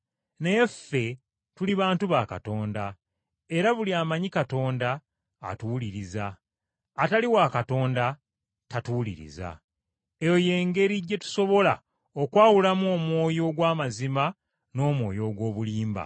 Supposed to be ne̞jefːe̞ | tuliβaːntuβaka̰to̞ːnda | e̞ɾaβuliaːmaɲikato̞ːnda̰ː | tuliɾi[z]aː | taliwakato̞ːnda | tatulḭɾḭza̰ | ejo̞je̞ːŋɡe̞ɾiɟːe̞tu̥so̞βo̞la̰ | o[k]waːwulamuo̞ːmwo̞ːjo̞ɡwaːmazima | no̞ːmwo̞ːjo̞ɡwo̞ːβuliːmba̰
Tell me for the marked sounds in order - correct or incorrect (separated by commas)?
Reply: correct, correct